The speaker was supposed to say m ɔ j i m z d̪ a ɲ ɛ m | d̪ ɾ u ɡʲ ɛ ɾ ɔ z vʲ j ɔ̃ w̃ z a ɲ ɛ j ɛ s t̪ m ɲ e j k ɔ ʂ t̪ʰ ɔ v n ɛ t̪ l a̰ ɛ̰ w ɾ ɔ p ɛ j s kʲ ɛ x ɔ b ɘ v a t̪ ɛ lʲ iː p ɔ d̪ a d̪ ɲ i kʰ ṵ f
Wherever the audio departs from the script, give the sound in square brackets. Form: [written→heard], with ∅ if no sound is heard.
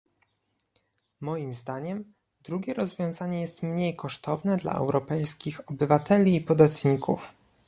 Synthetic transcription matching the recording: m ɔ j i m z d̪ a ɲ ɛ m | d̪ ɾ u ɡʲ ɛ ɾ ɔ z vʲ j ɔ̃ w̃ z a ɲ ɛ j ɛ s t̪ m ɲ e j k ɔ ʂ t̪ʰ ɔ v n ɛ [t̪→d̪] l a̰ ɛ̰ w ɾ ɔ p ɛ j s kʲ [ɛ→i] x ɔ b ɘ v a t̪ ɛ lʲ iː p ɔ d̪ a [d̪→t̪] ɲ i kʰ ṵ f